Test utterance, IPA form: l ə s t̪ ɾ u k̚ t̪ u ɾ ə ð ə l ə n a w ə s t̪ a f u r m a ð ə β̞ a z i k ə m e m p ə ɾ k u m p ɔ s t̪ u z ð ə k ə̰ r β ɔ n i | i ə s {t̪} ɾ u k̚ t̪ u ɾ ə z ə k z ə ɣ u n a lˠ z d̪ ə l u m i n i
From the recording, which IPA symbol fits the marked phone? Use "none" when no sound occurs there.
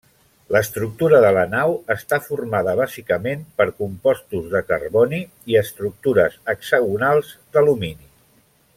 t̪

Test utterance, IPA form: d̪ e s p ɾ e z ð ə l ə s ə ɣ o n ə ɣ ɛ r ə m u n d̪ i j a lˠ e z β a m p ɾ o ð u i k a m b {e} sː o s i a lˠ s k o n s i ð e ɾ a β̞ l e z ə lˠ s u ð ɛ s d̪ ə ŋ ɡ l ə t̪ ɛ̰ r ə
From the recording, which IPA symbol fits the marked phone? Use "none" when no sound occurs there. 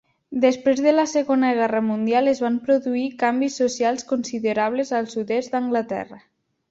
i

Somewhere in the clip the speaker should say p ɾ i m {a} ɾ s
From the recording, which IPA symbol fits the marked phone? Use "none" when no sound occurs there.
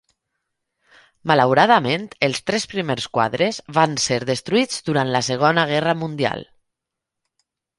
e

